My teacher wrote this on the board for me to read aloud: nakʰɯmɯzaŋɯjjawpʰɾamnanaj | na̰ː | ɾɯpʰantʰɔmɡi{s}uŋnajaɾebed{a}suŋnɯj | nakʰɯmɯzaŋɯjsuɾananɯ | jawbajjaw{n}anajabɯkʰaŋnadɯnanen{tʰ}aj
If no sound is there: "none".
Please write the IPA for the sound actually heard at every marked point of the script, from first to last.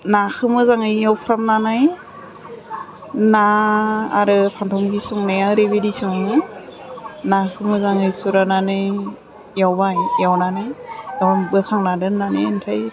s, i, n, tʰ

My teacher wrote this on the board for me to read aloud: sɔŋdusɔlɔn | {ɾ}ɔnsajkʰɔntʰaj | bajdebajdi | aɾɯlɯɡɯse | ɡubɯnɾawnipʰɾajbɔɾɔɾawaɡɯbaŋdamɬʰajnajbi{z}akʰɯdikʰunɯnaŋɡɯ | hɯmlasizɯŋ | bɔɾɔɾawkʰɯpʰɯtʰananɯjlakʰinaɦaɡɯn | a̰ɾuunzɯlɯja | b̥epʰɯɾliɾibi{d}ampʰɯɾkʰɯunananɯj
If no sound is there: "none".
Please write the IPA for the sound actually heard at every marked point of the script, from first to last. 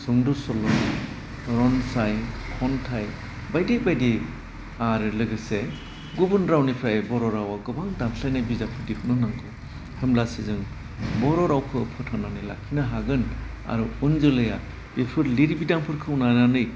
ɾ, z, d

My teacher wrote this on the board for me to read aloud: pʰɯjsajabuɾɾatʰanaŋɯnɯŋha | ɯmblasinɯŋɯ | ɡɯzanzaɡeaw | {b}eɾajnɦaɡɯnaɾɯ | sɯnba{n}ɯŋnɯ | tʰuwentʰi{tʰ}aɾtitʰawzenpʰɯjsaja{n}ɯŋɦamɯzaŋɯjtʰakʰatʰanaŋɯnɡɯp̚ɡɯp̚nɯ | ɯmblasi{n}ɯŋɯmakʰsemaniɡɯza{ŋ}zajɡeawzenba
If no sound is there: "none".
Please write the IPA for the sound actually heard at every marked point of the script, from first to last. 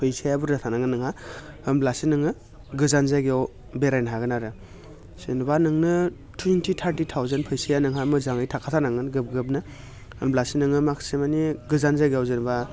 b, n, tʰ, n, n, n

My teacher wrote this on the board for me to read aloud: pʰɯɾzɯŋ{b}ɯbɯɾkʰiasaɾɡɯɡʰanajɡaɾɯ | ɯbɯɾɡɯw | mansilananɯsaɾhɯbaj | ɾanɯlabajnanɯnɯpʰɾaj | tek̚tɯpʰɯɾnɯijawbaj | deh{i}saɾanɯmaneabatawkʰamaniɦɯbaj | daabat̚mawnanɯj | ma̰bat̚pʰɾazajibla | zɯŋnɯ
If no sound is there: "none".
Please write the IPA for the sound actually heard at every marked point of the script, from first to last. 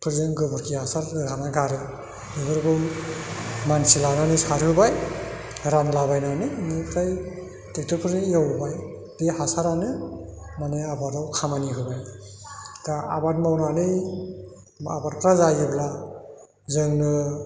ɡ, a

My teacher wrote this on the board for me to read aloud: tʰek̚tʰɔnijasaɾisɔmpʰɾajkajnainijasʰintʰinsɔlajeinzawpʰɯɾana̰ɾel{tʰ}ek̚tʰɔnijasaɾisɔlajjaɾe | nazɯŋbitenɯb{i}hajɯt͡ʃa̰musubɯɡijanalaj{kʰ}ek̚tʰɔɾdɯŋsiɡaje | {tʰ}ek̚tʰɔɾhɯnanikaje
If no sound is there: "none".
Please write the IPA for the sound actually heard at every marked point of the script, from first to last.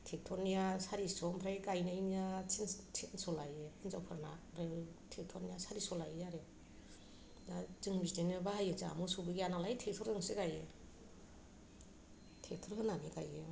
tʰ, a, tʰ, tʰ

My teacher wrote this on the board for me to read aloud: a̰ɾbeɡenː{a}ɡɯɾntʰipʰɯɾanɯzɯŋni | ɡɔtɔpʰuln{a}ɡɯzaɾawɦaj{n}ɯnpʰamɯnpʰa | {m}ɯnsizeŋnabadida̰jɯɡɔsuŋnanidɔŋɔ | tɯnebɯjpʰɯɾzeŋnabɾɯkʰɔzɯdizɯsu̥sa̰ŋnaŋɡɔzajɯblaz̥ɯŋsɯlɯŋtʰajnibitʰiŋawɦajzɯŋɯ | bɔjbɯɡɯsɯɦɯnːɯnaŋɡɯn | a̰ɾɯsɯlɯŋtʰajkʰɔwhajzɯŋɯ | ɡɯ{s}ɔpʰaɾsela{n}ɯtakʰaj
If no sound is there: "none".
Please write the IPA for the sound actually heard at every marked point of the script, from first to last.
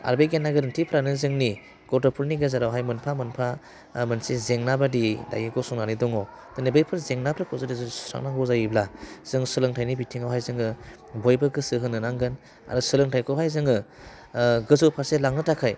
a, i, m, m, z, ŋ

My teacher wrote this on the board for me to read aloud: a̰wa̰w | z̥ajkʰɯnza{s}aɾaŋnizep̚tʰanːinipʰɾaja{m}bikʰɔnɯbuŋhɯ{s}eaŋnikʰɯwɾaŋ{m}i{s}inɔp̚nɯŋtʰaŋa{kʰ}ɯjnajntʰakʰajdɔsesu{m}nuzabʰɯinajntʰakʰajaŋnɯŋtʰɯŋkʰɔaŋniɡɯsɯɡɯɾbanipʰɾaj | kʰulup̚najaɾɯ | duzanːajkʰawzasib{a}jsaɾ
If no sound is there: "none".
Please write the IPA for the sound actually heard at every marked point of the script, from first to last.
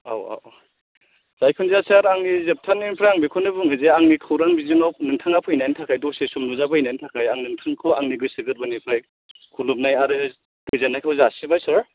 s, ŋ, z, b, z, pʰ, m, a

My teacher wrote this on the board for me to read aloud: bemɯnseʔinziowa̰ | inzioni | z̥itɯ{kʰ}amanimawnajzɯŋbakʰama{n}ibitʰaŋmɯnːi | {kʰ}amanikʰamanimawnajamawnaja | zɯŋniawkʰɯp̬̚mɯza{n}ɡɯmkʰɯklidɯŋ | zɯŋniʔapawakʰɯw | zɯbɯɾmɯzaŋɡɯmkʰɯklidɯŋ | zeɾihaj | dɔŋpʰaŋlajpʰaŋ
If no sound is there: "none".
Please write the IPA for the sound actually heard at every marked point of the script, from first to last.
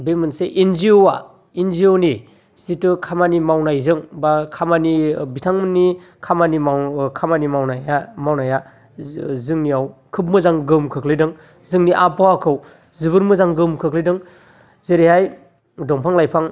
kʰ, n, kʰ, ŋ

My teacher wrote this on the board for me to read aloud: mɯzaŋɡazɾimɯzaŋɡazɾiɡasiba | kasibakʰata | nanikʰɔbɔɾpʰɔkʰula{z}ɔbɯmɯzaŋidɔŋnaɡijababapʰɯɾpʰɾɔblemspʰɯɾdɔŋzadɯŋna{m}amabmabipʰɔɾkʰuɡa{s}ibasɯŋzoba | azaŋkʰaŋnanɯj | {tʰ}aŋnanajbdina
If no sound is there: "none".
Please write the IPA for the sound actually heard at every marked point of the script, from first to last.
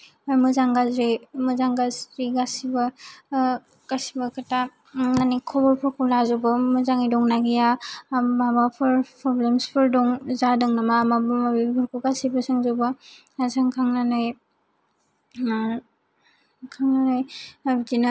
z, m, s, kʰ

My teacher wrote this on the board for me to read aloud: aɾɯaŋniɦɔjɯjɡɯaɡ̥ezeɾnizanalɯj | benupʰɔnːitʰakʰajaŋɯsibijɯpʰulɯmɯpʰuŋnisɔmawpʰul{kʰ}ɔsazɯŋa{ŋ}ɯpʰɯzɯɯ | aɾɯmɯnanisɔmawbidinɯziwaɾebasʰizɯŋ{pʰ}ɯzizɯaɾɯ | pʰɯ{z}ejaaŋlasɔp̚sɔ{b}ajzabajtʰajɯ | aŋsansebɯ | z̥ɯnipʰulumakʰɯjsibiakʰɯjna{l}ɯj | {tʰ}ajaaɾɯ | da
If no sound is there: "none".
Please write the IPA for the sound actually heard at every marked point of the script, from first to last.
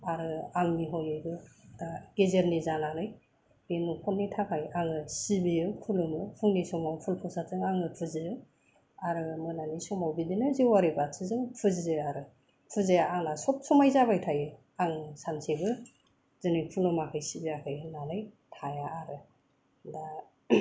pʰ, ŋ, pʰ, z, m, l, tʰ

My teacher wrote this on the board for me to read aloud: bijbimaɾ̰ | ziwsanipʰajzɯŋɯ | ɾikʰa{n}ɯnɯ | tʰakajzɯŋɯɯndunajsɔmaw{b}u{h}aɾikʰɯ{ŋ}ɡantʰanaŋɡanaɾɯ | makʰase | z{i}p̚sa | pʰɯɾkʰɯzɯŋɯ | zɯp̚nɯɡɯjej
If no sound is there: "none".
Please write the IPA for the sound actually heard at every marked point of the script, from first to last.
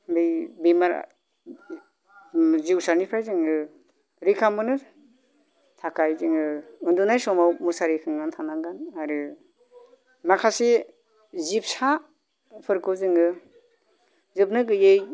m, m, s, ŋ, i

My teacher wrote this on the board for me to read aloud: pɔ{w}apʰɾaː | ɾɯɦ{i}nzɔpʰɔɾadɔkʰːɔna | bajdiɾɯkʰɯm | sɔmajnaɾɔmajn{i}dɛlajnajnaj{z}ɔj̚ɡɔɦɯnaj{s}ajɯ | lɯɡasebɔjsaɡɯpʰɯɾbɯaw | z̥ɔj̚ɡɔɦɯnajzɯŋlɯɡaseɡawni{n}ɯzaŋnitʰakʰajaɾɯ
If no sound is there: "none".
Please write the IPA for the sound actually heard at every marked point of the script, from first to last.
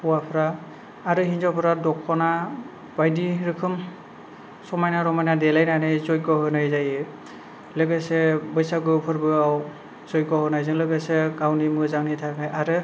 w, i, a, z, z, m

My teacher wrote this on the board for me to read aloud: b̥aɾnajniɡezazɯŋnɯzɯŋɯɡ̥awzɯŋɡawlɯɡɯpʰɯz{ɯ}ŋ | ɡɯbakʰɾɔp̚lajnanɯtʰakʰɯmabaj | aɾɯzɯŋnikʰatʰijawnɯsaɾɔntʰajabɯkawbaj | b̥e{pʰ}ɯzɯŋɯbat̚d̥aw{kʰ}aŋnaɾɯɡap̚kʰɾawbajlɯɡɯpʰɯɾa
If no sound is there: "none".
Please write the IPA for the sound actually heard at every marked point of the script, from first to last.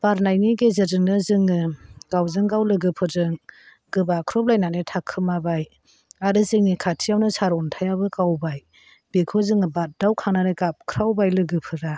ɯ, kʰ, kʰ

